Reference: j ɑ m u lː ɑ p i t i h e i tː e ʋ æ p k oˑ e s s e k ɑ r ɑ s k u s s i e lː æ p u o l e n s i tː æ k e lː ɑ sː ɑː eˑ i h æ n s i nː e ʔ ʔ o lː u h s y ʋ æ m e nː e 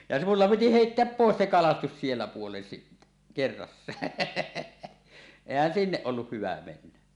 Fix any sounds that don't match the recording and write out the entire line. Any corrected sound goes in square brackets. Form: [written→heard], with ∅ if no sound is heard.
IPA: j ɑ m u lː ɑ p i t i h e i tː e [ʋ→∅] æ p [k→p] oˑ e s s e k ɑ [r→l] ɑ s [k→t] u s s i e lː æ p u o l e n s i tː æ k e [lː→rː] ɑ sː ɑː eˑ i h æ n s i nː e ʔ ʔ o lː u h [s→h] y ʋ æ m e nː [e→æ]

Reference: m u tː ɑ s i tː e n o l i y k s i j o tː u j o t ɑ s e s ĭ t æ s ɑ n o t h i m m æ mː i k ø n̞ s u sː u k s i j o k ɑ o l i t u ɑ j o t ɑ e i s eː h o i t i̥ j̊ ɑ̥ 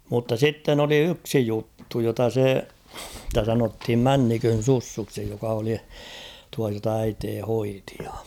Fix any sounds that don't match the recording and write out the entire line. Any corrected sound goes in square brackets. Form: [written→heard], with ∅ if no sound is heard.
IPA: m u tː ɑ s i tː e n o l i y k s i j [o→u] tː u j o t ɑ s e s ĭ t æ s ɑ n o t h i m m æ [mː→nː] i k ø n̞ s u sː u k s i j o k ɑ o l i t u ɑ j o t ɑ [e→æ] i [s→t] eː h o i t i̥ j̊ ɑ̥

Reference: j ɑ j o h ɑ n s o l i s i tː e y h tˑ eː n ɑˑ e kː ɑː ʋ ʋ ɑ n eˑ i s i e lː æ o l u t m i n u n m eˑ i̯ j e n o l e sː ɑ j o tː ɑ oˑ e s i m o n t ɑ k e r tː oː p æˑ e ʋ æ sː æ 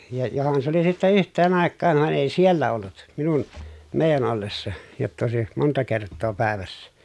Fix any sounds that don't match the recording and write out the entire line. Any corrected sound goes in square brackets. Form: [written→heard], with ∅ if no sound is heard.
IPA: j ɑ j o h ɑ n s o l i s i tː e y h tˑ eː n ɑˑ e kː ɑː ʋ ʋ ɑ n eˑ i s i e lː æ o [l→lː] u t m i n u n m eˑ i̯ j [e→æ] n o [l→lː] e sː ɑ j o tː ɑ oˑ e s i m o n t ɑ k e r tː oː p æˑ e ʋ æ sː æ

